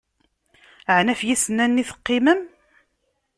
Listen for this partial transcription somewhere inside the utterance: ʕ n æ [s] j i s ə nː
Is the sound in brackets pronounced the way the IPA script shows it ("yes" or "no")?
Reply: no